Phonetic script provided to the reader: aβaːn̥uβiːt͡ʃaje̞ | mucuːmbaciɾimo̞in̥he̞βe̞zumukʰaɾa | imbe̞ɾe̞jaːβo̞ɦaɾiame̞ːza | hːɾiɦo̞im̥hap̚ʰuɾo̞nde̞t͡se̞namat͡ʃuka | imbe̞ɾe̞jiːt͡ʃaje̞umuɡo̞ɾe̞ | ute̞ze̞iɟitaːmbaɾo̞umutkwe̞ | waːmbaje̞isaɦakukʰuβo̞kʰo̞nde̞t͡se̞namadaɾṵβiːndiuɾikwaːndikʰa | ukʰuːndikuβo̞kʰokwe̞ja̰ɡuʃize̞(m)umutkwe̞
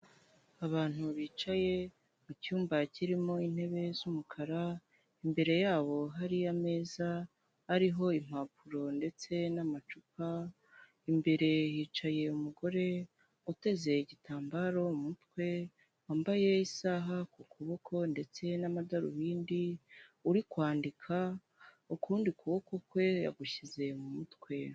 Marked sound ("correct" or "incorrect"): correct